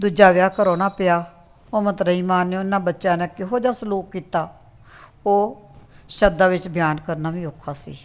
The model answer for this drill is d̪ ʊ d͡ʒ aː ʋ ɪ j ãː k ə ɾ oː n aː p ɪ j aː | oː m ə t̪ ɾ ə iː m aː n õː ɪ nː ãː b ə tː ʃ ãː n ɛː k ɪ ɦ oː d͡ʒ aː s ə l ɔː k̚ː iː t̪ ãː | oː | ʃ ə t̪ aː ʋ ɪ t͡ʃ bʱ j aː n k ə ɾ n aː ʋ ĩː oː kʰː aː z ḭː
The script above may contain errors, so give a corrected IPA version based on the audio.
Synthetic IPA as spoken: d̪ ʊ d͡ʒ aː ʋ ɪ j aː k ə ɾ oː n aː p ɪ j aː | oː m ə t̪ ɾ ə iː m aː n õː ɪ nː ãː b ə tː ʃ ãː n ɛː k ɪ ɦ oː d͡ʒ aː s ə l uː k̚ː iː t̪ aː | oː | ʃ ə d̪ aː ʋ ɪ t͡ʃ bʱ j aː n k ə ɾ n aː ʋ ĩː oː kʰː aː s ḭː